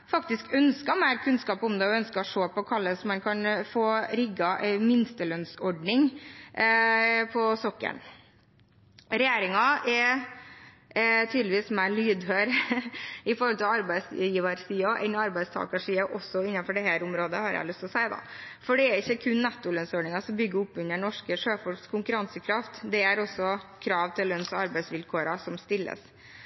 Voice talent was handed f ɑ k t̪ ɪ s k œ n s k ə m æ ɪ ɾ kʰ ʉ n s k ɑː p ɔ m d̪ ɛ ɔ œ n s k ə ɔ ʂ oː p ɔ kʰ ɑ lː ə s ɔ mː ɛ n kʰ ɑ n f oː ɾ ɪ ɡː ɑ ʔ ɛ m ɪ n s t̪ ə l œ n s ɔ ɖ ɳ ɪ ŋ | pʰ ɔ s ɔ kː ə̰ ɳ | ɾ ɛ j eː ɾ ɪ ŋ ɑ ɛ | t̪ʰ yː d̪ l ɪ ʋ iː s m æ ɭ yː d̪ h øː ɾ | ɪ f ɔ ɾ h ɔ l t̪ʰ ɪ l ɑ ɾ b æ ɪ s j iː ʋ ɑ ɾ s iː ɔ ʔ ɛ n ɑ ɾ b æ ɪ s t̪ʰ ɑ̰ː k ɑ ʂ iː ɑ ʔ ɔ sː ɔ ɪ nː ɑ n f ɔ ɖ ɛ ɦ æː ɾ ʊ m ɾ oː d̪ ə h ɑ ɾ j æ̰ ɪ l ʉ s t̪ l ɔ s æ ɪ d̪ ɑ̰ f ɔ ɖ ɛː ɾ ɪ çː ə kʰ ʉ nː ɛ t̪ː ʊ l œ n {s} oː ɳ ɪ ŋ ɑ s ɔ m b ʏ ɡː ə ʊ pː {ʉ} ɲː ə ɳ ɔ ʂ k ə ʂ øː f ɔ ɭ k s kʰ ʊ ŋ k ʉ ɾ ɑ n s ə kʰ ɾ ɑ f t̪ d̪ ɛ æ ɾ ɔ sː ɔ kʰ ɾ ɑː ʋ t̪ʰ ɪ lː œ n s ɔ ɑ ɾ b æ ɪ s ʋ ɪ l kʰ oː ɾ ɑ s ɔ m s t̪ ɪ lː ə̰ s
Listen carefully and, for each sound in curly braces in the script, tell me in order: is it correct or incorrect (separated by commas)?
correct, correct